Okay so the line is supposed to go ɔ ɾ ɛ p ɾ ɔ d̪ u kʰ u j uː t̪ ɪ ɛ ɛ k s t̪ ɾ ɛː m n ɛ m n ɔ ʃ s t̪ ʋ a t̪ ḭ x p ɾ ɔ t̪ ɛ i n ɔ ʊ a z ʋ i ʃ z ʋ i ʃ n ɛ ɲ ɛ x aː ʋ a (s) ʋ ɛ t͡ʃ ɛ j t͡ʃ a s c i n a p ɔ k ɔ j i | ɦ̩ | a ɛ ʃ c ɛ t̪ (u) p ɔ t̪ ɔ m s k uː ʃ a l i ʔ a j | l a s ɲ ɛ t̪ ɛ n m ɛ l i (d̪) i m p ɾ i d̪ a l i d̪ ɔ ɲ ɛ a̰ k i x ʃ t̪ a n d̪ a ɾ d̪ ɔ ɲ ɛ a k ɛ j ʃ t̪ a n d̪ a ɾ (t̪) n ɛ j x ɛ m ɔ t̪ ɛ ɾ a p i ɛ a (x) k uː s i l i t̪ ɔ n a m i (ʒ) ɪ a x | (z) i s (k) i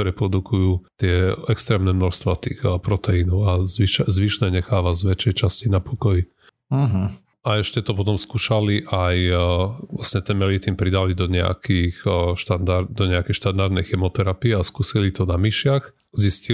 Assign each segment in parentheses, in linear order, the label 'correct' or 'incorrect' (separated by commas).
incorrect, incorrect, incorrect, incorrect, incorrect, incorrect, correct, incorrect